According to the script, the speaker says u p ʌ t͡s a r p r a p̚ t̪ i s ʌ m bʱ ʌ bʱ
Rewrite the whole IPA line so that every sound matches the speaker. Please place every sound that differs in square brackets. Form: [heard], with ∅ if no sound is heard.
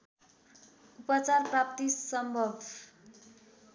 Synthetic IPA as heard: u p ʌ t͡s a r p r a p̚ t̪ i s ʌ m bʱ ʌ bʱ